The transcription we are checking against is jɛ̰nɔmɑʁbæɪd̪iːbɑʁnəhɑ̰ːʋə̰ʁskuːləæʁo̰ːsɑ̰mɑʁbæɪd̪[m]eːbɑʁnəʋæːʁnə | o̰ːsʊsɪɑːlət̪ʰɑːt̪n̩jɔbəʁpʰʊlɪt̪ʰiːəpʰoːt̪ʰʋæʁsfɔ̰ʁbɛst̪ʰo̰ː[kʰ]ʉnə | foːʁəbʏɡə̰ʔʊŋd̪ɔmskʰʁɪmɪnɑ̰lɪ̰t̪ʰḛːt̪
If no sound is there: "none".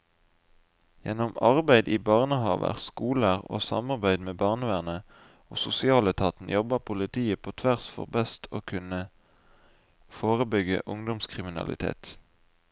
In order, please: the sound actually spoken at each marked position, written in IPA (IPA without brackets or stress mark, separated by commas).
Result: m, kʰ